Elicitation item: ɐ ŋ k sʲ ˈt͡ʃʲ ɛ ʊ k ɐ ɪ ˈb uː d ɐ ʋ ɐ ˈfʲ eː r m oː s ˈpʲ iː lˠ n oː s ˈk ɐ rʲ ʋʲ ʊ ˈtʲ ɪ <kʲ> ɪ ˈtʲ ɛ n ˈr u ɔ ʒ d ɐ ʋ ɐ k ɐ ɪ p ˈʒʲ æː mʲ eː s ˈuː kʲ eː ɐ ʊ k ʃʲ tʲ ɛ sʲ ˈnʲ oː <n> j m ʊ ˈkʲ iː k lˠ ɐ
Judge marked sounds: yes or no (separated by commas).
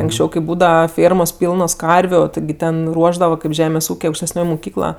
no, no